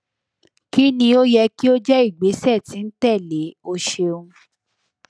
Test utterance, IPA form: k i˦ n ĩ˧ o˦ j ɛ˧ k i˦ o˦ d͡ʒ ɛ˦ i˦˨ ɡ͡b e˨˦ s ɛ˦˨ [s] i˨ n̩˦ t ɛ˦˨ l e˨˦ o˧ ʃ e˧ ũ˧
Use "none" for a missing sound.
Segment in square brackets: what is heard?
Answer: t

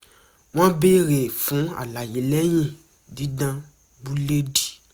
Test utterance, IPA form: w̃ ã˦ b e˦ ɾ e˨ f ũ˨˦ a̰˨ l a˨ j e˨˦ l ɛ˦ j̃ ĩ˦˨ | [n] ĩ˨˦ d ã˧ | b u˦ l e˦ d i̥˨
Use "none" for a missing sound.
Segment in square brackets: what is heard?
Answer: d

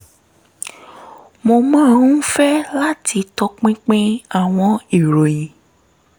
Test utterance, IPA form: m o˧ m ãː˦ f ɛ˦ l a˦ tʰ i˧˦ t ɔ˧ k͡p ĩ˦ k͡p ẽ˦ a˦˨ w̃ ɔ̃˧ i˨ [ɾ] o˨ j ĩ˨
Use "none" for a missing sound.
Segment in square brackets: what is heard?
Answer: ɾ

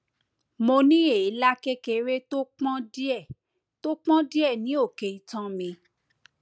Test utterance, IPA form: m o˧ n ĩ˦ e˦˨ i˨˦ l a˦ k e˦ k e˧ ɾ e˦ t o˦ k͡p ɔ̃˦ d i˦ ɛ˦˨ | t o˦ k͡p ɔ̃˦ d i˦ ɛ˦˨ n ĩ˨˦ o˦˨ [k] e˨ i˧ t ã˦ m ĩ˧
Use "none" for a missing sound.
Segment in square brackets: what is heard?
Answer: k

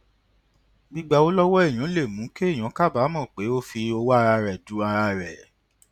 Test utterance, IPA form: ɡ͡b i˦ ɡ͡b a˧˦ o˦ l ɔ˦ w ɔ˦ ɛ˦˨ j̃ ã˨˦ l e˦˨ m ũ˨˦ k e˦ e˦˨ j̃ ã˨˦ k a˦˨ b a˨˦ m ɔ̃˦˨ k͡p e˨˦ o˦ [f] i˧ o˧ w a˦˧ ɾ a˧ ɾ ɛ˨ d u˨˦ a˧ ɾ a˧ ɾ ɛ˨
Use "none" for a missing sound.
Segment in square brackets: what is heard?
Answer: f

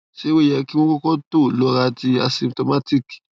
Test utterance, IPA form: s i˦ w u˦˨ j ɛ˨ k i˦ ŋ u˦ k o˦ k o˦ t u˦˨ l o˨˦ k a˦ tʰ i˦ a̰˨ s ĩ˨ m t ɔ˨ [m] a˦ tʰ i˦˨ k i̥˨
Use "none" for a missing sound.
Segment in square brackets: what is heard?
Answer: m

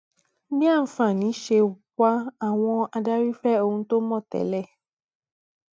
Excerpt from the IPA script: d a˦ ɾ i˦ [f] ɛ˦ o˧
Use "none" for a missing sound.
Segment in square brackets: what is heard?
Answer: f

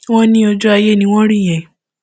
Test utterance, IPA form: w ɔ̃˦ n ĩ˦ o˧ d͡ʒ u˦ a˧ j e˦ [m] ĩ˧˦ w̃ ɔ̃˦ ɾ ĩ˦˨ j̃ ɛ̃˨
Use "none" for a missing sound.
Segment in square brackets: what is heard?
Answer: n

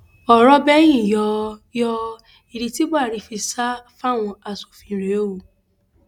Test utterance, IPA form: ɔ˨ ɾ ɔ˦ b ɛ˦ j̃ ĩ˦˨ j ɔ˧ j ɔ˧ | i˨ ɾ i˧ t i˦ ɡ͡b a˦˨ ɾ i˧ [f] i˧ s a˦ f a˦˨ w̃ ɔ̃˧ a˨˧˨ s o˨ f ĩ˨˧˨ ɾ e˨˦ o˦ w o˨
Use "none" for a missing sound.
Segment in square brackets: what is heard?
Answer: f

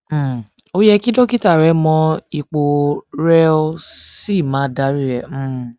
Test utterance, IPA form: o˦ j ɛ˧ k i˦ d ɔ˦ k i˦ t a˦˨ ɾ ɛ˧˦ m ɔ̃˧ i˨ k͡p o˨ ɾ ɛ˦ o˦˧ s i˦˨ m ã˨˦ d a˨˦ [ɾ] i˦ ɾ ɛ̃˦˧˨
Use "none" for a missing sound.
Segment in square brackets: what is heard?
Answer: ɾ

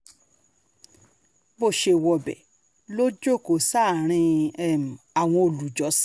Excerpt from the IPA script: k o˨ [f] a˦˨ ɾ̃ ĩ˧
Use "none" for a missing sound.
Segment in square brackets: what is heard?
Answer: s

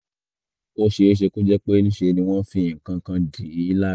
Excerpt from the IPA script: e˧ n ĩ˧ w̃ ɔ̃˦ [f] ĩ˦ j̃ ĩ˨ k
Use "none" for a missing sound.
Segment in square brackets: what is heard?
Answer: f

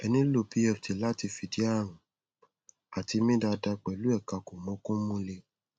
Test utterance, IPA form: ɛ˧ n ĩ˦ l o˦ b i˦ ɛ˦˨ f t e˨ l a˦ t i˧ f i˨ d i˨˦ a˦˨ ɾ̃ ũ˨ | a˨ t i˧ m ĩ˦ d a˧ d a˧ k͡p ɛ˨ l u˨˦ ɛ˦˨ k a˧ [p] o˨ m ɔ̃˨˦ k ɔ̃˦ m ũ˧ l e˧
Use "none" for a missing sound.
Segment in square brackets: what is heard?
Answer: k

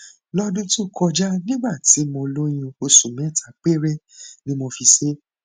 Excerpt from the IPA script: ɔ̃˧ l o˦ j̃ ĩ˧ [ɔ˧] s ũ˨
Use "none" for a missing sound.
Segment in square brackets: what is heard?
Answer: o˧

